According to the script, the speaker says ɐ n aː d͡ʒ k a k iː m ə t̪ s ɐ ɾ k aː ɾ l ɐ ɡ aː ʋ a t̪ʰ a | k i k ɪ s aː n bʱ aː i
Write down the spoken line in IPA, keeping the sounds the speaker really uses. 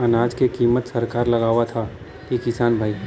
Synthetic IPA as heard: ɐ n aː d͡ʒ k e k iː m ə t̪ s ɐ ɾ k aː ɾ l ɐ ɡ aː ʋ a t̪ʰ a | k i k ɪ s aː n bʱ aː i